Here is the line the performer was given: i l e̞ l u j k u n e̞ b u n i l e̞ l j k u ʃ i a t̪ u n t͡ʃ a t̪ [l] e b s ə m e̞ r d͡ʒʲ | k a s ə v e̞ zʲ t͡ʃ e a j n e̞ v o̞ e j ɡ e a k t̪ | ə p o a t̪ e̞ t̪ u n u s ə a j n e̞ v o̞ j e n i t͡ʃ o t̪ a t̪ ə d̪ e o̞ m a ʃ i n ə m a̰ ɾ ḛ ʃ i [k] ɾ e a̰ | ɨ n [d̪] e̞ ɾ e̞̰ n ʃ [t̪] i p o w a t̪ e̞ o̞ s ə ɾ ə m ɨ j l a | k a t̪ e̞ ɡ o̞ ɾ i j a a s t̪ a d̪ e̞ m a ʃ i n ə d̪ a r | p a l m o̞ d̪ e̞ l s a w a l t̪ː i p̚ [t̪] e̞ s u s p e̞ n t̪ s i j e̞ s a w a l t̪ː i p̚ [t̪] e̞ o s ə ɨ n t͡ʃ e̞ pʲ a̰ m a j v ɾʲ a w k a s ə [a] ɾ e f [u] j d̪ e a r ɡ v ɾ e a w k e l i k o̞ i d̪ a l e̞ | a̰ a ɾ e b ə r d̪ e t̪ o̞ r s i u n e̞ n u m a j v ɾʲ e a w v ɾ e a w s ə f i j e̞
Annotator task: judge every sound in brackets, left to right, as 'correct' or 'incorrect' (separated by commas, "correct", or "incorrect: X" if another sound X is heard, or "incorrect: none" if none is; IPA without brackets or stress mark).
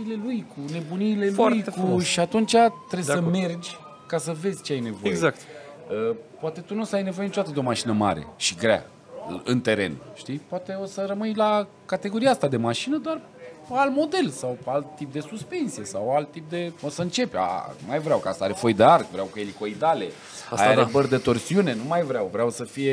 incorrect: ɾ, incorrect: ɡ, incorrect: t̪, correct, incorrect: d̪, incorrect: d̪, correct, incorrect: o